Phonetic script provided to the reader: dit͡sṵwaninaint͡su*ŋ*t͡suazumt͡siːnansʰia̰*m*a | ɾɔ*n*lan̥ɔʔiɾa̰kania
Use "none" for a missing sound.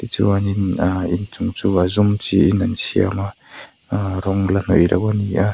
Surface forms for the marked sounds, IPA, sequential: ŋ, m, ŋ

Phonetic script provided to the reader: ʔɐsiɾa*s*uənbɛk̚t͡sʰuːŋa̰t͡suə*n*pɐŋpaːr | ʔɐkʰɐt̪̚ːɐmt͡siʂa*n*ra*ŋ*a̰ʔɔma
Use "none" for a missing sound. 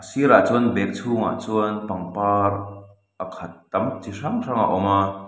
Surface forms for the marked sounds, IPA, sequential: t͡s, n, ŋ, ŋ

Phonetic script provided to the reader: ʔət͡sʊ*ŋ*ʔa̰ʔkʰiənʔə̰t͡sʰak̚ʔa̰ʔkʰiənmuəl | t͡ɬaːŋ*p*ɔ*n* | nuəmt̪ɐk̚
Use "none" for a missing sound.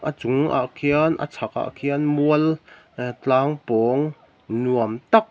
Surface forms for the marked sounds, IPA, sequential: ŋ, p, ŋ

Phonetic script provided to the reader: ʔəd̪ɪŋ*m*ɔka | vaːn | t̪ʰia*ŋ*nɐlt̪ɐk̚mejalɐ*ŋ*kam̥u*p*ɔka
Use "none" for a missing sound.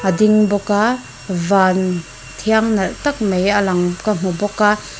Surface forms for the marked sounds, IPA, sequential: b, ŋ, ŋ, b

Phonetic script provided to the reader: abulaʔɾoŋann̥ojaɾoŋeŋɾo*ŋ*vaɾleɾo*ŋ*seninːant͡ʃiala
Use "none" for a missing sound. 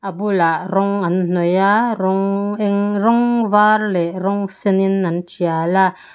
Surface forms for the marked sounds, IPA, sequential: ŋ, ŋ

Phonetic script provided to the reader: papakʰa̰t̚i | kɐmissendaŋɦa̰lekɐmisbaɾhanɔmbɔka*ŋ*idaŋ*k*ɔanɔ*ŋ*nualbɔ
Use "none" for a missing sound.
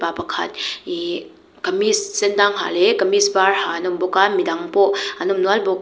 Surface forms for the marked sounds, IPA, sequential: m, p, m

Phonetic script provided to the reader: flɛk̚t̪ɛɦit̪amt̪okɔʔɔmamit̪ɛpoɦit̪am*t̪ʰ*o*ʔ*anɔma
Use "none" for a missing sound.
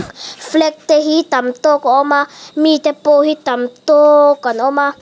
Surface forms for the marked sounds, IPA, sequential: t̪, k

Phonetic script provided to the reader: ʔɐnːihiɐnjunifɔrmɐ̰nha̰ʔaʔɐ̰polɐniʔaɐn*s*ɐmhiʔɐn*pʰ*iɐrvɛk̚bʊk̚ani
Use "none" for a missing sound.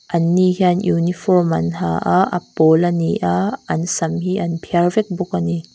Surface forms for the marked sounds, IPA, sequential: s, pʰ

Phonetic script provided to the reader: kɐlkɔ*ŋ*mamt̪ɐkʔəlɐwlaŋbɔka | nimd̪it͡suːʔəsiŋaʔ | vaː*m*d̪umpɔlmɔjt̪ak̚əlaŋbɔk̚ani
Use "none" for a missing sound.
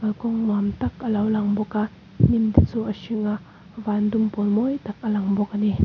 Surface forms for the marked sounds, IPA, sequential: ŋ, n

